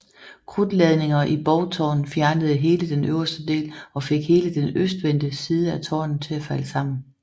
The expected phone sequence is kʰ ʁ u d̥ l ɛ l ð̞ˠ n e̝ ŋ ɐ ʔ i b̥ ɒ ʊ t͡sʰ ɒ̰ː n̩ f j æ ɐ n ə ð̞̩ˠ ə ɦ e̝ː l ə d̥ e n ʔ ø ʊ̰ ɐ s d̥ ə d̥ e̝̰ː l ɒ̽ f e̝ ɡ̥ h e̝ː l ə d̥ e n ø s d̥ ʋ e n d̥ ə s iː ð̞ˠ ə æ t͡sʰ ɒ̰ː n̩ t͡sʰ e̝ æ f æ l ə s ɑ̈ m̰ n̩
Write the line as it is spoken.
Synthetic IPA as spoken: kʰ ʁ u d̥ l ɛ ð̞ˠ n e̝ ŋ ɐ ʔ i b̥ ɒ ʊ t͡sʰ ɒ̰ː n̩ f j æ ɐ n ə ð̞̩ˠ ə ɦ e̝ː l ə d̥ e n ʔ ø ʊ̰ ɐ s d̥ ə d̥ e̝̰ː l ɒ̽ f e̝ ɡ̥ h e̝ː l ə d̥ e n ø s d̥ ʋ e n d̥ ə s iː ð̞ˠ ə æ t͡sʰ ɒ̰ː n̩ t͡sʰ e̝ æ f æ l ə s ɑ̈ m̰ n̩